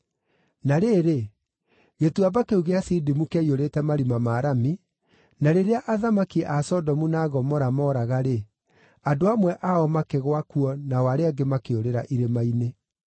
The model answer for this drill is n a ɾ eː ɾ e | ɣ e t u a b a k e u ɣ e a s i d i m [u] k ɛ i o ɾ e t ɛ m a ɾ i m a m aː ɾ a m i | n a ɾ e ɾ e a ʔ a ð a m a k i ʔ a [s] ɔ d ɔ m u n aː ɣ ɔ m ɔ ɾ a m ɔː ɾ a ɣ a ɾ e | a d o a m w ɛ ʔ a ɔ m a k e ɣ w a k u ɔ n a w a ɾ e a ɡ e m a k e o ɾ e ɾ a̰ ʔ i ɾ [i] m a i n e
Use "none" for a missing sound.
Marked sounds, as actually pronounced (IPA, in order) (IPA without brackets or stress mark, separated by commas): u, s, e